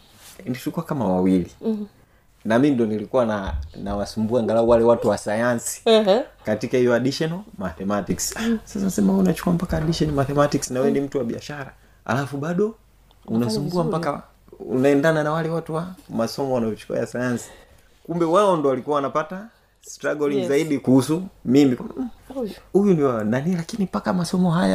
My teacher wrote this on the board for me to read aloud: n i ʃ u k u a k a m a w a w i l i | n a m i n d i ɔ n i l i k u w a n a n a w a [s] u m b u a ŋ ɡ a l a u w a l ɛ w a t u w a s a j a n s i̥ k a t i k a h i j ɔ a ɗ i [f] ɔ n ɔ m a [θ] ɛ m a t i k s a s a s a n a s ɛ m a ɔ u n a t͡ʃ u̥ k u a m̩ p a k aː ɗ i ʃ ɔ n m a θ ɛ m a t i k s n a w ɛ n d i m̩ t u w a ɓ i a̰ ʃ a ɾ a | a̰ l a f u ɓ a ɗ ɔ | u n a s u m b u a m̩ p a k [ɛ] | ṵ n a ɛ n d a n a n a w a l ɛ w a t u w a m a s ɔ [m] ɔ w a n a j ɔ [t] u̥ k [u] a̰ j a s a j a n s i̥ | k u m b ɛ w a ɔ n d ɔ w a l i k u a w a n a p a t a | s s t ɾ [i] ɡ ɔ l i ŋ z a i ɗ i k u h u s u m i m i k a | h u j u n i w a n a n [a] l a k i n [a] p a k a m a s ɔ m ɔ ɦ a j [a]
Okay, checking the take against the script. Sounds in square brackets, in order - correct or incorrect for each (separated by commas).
correct, incorrect, correct, incorrect, correct, incorrect, correct, incorrect, incorrect, incorrect, correct